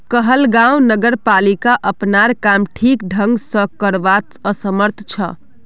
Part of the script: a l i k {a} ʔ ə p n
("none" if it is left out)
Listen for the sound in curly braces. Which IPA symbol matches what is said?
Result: a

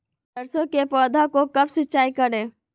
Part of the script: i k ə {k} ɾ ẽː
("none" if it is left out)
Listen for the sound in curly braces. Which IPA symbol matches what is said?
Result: none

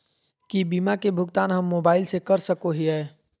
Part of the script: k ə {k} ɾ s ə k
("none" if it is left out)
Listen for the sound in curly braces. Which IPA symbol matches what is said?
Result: none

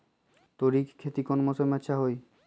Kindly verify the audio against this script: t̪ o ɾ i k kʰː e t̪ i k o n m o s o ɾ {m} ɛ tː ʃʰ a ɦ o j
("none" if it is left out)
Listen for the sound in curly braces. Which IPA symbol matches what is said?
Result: m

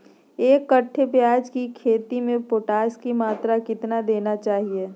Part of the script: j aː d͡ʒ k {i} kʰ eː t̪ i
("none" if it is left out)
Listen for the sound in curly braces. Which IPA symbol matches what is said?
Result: i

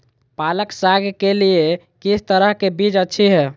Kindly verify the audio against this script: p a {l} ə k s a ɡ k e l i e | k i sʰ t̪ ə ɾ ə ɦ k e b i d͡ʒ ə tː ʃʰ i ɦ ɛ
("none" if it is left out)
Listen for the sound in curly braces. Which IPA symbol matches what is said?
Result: l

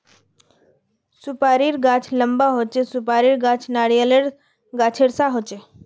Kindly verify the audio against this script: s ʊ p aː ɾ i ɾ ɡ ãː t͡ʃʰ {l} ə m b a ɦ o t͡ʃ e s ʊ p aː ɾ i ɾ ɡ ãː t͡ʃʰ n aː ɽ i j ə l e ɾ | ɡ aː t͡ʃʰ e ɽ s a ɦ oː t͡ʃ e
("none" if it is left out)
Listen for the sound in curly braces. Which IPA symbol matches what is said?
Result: l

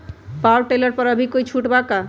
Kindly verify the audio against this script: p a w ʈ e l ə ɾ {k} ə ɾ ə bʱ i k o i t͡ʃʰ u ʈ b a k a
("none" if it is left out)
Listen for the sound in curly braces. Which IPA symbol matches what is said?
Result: p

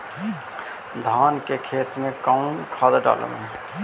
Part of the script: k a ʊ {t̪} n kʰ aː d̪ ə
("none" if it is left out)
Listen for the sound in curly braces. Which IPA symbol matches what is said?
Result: none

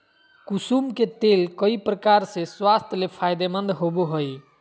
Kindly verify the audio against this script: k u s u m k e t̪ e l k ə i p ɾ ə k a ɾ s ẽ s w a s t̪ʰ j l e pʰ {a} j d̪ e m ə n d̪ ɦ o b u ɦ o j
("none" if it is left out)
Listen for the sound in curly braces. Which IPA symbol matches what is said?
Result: a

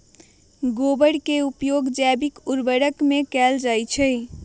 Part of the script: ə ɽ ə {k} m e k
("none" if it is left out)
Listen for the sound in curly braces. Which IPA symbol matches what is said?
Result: k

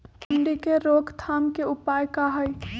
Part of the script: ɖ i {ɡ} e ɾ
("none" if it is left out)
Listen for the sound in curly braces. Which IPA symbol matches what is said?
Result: k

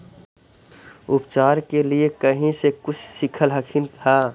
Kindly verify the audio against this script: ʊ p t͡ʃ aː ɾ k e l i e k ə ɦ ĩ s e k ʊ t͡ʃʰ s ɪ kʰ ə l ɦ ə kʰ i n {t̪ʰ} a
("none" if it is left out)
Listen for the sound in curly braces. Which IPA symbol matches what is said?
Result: t̪ʰ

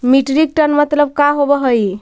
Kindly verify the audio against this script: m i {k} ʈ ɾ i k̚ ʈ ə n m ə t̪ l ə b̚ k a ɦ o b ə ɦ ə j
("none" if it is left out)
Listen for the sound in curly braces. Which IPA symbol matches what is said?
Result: none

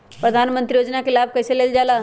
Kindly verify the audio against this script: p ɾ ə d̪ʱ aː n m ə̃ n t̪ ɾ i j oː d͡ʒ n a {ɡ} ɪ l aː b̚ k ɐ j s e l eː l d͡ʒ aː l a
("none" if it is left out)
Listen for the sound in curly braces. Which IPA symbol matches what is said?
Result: k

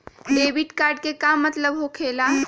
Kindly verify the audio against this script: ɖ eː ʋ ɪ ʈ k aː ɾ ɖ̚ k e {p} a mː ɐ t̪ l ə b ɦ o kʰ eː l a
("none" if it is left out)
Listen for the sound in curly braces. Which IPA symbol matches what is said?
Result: k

